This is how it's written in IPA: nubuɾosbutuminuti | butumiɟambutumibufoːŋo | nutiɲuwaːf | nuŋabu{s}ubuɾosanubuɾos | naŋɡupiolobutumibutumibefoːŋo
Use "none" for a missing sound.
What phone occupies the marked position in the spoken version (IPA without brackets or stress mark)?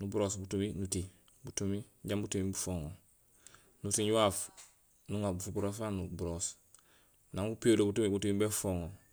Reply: f